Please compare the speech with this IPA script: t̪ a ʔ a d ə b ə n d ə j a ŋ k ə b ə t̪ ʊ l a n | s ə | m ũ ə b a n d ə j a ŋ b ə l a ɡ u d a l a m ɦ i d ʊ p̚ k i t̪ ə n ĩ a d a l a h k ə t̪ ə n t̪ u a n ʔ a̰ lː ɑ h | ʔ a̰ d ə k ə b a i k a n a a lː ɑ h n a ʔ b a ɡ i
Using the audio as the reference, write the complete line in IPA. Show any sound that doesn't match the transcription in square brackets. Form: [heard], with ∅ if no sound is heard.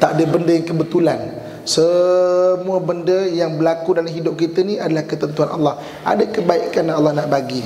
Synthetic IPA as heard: t̪ a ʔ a d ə b ə n d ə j a ŋ k ə b ə t̪ [u] l a n | s ə | m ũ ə b [ə] n d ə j a ŋ b ə l a [k] u d a l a m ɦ i d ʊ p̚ k i t̪ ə n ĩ a d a l a h k ə t̪ ə n t̪ u a n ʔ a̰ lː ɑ h | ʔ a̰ d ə k ə b a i k a n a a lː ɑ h n a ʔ b a ɡ i

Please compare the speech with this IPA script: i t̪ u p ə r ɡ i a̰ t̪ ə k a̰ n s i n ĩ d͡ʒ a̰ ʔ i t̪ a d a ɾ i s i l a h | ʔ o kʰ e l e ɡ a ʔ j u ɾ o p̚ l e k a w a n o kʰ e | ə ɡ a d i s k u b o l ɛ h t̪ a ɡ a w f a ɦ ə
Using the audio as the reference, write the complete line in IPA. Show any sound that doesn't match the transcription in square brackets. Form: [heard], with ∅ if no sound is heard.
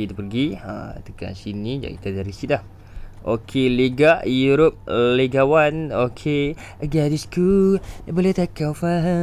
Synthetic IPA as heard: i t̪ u p ə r ɡ i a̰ t̪ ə k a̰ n s i n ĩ d͡ʒ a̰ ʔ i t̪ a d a ɾ i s i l a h | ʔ o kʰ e l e ɡ a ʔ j u ɾ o p̚ l e [ɡ] a w a n o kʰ e | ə ɡ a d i s k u b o l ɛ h t̪ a [k] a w f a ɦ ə

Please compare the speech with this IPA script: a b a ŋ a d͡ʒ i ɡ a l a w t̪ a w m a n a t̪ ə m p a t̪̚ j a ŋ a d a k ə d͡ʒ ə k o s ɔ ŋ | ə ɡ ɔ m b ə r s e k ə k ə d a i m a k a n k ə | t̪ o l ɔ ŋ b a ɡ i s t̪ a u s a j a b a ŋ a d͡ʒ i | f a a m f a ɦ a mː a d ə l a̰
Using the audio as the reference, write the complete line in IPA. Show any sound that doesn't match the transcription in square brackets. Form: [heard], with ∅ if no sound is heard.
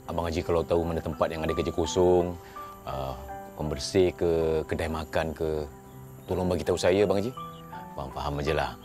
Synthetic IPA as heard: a b a ŋ a d͡ʒ i [k] a l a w t̪ a [u] m a n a t̪ ə m p a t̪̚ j a ŋ a d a k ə d͡ʒ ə k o s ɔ ŋ | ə [k] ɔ m b ə r s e k ə k ə d a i m a k a n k ə | t̪ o l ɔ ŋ b a ɡ i [∅] t̪ a u s a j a b a ŋ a d͡ʒ i | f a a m f a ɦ a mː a [d͡ʒ] ə l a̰

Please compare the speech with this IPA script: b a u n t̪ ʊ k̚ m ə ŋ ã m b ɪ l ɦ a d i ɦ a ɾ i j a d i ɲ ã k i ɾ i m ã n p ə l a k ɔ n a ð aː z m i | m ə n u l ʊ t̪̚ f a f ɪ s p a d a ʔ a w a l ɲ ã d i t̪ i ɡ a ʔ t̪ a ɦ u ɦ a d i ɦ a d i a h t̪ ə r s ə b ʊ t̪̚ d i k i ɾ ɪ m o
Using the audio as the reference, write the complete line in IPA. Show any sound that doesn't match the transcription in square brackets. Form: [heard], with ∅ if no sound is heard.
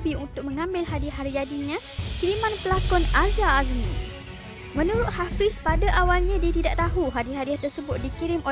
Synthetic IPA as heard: b [i] u n t̪ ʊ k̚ m ə ŋ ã m b ɪ l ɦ a d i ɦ a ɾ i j a d i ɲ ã k i ɾ i m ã n p ə l a k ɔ n a [z] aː z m i | m ə n u [ɾ] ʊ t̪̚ [h] a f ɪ s p a d a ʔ a w a l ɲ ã d i t̪ i [d] a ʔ t̪ a ɦ u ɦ a d i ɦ a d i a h t̪ ə r s ə b ʊ t̪̚ d i k i ɾ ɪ m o

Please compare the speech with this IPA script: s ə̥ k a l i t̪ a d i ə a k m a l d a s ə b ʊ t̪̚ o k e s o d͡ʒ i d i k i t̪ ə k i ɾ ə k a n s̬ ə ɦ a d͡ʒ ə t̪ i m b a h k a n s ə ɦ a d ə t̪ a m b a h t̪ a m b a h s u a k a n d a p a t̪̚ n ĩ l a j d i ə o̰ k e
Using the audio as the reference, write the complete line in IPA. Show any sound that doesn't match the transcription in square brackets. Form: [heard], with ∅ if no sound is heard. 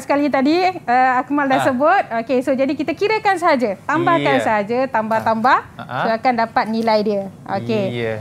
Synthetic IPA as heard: s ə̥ k a l i t̪ a d i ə a k m a l d a s ə b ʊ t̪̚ o k e s o d͡ʒ [a] d i k i t̪ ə k i ɾ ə k a n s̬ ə ɦ a d͡ʒ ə t̪ [a] m b a h k a n s ə ɦ a [d͡ʒ] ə t̪ a m b a h t̪ a m b a h s [o] a k a n d a p a t̪̚ n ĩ l a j d i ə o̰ k e

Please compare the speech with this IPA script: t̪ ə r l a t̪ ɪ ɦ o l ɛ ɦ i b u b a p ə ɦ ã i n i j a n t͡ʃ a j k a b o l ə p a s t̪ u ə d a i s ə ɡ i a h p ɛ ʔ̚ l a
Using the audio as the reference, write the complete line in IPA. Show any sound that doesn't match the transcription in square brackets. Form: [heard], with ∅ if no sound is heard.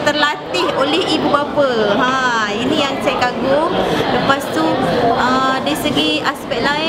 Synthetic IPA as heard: t̪ ə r l a t̪ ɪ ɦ o l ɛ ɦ i b u b a p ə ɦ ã i n i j a [ŋ] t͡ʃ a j k a [ɡ] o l ə p a s t̪ u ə d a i s ə ɡ i a [s] p ɛ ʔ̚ l a

